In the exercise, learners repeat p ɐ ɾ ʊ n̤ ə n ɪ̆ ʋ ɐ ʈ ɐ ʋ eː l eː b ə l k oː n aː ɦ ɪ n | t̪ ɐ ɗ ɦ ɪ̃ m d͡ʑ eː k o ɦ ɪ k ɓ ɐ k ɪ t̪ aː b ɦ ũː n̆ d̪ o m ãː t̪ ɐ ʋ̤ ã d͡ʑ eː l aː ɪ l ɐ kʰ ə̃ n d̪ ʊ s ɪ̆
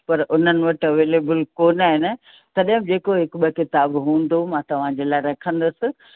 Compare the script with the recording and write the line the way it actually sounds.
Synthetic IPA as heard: p ɐ ɾ ʊ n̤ ə n ɪ̆ ʋ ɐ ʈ ɐ ʋ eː l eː b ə l k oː n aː ɦ ɪ n | t̪ ɐ ɗ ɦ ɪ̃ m d͡ʑ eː k o ɦ ɪ k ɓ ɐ k ɪ t̪ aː b ɦ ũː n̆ d̪ o m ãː t̪ ɐ ʋ̤ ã d͡ʑ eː l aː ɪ ɾ ɐ kʰ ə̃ n d̪ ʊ s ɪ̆